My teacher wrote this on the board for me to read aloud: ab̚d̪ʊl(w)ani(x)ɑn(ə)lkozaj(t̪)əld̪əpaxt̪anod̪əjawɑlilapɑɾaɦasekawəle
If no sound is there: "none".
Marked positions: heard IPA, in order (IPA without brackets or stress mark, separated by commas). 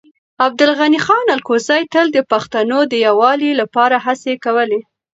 ɣ, x, a, t̪